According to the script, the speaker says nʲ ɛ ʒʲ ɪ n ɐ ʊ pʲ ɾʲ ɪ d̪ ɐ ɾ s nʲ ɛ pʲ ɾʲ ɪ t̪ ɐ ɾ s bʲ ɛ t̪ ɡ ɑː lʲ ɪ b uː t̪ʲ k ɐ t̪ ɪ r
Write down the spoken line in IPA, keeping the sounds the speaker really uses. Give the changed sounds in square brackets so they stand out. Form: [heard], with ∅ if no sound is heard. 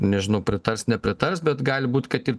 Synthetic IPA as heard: nʲ ɛ ʒʲ ɪ n ɐ ʊ pʲ ɾʲ ɪ [t̪] ɐ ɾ s nʲ ɛ pʲ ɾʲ ɪ t̪ ɐ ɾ s bʲ ɛ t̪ ɡ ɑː lʲ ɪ b uː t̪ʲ k ɐ t̪ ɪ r